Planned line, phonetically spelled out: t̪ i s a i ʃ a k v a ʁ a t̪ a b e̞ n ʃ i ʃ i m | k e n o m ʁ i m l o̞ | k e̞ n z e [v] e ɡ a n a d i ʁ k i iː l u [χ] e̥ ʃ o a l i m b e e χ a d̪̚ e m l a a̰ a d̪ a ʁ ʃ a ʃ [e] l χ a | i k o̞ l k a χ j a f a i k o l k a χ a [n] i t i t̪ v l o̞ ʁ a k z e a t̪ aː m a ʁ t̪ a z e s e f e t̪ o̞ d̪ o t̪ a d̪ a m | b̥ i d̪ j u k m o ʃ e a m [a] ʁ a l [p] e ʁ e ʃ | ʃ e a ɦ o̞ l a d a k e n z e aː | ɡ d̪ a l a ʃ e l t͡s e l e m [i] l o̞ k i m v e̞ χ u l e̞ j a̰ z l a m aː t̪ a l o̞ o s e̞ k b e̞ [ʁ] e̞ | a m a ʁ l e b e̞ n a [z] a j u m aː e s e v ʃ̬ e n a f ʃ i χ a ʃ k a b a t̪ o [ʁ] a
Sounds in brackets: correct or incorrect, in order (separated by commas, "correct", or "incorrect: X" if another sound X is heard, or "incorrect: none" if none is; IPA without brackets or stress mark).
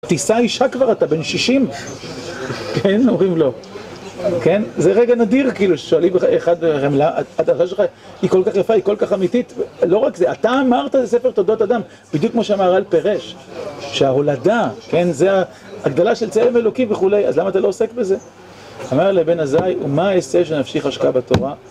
incorrect: ʁ, incorrect: ʃ, correct, incorrect: m, correct, correct, incorrect: e, incorrect: z, correct, correct